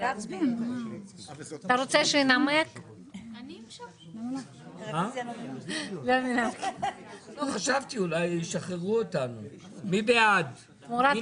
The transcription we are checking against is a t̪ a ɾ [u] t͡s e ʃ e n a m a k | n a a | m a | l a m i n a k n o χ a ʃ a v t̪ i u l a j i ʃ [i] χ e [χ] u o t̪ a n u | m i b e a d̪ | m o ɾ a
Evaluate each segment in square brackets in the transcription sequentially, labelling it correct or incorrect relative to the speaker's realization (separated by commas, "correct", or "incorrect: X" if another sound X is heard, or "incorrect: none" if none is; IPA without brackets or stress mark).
incorrect: o, incorrect: a, incorrect: ʁ